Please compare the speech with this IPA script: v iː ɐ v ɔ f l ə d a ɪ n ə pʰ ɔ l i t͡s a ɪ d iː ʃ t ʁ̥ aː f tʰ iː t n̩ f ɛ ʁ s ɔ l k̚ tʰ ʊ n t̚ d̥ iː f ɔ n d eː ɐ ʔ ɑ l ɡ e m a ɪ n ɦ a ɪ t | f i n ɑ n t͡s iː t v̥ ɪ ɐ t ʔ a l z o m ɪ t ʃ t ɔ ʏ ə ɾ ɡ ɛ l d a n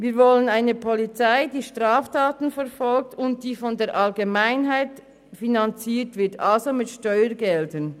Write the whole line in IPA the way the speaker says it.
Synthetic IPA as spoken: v iː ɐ v ɔ l ə n a ɪ n ə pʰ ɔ l i t͡s a ɪ d iː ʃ t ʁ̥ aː f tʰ aː t n̩ f ɛ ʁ f ɔ l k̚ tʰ ʊ n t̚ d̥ iː f ɔ n d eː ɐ ʔ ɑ l ɡ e m a ɪ n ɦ a ɪ t | f i n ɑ n t͡s iː t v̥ ɪ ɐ t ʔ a l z o m ɪ t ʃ t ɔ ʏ ə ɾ ɡ ɛ l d ə n